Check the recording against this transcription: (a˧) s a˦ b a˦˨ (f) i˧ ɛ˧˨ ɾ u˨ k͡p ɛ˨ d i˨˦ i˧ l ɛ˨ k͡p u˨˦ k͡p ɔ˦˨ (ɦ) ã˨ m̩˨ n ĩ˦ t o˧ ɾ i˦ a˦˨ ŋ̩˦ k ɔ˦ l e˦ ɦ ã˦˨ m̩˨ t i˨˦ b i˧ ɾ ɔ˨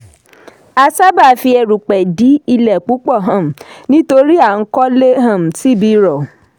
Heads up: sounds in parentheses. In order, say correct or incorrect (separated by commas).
correct, correct, correct